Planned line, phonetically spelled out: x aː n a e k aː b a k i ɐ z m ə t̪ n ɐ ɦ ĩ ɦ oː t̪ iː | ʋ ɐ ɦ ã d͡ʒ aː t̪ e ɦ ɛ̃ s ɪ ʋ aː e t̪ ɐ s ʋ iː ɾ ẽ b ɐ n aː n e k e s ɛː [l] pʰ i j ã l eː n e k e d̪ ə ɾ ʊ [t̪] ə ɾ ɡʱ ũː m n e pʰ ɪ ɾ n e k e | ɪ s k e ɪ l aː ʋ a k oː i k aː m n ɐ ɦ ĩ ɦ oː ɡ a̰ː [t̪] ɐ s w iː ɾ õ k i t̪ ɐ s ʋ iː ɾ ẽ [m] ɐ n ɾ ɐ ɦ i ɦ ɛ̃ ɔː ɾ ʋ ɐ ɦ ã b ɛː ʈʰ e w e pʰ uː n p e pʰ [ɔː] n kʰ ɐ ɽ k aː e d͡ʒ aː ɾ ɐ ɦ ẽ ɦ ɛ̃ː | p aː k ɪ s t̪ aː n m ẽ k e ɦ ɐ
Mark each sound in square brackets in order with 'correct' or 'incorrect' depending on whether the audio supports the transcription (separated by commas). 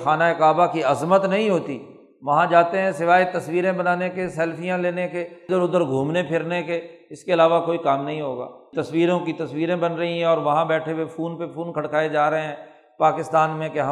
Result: correct, incorrect, correct, incorrect, incorrect